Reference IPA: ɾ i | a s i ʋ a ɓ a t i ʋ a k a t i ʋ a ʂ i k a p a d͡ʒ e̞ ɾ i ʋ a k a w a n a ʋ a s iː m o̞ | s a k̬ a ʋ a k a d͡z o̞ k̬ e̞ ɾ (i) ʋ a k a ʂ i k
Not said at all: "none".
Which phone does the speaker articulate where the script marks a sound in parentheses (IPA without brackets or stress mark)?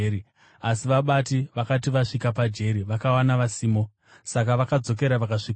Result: a